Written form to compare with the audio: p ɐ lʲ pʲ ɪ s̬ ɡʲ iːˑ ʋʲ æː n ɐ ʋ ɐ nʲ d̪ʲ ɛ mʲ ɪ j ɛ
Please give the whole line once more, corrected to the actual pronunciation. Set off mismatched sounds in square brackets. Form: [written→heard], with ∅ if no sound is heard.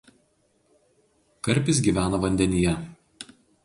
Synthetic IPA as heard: [p→k] ɐ [lʲ→ɾʲ] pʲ ɪ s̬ ɡʲ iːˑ ʋʲ æː n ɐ ʋ ɐ nʲ d̪ʲ ɛ [mʲ→nʲ] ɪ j ɛ